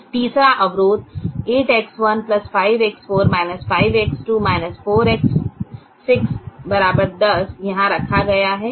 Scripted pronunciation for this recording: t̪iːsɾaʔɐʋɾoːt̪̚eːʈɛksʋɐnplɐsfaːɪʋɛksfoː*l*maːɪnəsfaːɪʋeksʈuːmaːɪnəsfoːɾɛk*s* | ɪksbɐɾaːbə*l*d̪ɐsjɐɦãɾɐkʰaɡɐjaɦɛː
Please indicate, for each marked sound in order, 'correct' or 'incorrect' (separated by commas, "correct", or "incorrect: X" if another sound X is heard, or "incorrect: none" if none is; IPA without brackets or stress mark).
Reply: incorrect: ɾ, incorrect: sː, incorrect: ɾ